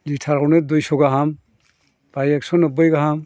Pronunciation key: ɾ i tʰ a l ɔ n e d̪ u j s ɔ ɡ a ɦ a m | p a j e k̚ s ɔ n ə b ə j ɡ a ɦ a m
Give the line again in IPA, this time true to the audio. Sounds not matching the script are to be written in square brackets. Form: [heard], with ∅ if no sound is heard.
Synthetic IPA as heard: [l] i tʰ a [ɾ] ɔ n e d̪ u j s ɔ ɡ a ɦ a m | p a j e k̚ s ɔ n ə b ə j ɡ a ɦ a m